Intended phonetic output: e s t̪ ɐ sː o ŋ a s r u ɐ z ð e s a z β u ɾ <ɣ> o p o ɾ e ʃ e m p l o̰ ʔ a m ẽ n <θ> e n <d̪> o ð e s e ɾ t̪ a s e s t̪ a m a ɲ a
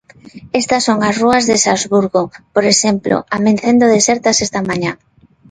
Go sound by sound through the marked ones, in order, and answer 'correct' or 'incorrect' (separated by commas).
correct, correct, correct